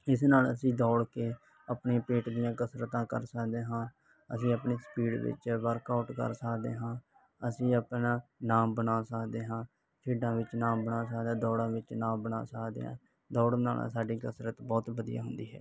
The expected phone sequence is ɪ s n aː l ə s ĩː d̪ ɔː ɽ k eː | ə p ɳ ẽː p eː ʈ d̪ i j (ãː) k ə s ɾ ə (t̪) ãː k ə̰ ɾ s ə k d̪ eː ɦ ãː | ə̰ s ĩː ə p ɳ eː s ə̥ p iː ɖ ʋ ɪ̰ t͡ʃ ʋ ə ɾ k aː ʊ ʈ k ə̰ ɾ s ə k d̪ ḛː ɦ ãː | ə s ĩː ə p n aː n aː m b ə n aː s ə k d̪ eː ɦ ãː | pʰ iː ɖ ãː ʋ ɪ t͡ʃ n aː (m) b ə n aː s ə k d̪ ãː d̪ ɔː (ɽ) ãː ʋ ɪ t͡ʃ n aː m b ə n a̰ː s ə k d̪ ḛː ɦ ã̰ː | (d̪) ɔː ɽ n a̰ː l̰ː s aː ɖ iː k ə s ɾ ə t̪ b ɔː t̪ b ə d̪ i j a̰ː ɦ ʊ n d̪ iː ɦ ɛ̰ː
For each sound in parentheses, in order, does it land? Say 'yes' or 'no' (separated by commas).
yes, yes, yes, yes, yes